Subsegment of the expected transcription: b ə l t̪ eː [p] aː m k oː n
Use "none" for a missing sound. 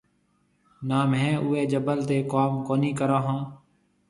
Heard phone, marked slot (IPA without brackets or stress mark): k